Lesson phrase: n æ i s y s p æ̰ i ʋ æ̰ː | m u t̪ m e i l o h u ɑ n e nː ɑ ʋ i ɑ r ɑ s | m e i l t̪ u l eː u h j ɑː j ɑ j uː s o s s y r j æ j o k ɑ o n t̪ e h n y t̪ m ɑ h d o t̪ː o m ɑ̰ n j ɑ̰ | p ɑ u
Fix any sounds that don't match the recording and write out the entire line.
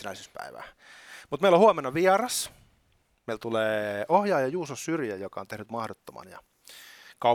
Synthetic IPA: n æ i s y s p æ̰ i ʋ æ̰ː | m u t̪ m e i l o h u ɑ m e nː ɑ ʋ i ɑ r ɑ s | m e i l t̪ u l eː o h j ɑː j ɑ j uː s o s s y r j æ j o k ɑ o n t̪ e h n y t̪ m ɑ h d o t̪ː o m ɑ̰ n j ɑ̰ | k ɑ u